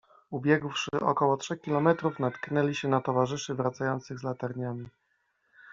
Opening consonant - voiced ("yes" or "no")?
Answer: yes